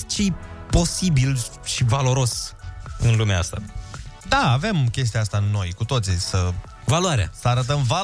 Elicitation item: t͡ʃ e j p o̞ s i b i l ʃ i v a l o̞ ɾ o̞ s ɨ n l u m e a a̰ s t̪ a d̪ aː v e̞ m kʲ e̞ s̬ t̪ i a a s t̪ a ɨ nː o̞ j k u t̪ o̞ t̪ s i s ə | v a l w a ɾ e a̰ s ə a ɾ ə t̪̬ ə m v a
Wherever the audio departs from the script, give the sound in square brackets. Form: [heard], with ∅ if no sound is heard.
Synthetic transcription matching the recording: t͡ʃ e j p o̞ s i b i l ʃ i v a l o̞ ɾ o̞ s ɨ n l u m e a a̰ s t̪ a d̪ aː v e̞ m kʲ e̞ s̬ t̪ i a a s t̪ a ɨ nː o̞ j k u t̪ o̞ t̪ s i s ə | v a l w a ɾ e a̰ s ə a ɾ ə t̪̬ ə m v a